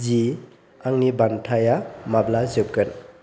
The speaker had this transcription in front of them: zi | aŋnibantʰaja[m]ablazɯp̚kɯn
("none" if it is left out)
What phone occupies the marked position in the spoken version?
m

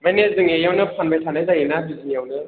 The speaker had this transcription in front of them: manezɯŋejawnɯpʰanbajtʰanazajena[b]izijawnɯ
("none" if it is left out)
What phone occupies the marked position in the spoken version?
b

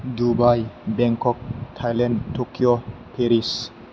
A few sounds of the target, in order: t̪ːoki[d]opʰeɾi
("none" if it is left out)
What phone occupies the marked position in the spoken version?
none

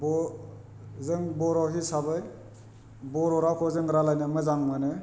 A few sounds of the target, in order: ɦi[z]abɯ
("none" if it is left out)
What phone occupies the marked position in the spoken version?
s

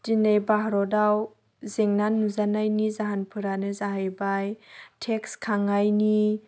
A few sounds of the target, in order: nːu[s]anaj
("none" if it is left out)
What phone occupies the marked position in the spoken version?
z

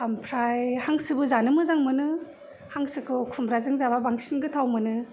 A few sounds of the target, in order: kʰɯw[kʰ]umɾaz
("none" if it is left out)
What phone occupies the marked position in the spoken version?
kʰ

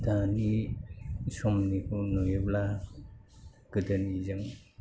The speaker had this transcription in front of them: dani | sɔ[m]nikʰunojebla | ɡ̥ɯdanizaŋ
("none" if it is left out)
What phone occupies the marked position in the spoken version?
m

